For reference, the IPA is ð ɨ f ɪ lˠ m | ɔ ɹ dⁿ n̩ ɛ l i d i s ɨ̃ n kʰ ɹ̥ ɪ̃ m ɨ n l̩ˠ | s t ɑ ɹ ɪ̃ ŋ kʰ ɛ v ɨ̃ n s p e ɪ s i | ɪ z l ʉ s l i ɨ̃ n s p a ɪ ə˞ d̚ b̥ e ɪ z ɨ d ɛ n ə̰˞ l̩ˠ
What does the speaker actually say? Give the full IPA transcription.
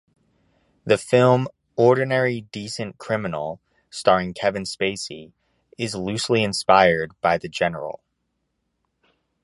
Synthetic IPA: ð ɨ f ɪ lˠ m | ɔ ɹ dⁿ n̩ ɛ ɹ i d i s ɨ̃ n kʰ ɹ̥ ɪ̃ m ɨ n l̩ˠ | s t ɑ ɹ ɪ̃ ŋ kʰ ɛ v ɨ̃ n s p e ɪ s i | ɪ z l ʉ s l i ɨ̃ n s p a ɪ ə˞ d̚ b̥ a ɪ ð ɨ d͡ʒ ɛ n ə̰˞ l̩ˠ